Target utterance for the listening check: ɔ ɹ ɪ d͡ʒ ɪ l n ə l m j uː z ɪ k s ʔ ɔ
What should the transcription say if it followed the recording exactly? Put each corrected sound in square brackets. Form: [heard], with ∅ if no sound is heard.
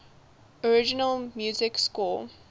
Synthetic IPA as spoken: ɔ ɹ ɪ d͡ʒ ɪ [∅] n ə l m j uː z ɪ k s [k] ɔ